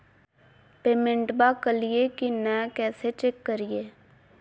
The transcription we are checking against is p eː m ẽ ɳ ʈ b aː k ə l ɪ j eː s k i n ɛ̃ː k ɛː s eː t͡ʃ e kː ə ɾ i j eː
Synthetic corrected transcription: p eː m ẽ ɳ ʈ b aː k ə l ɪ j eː k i n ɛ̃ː k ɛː s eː t͡ʃ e kː ə ɾ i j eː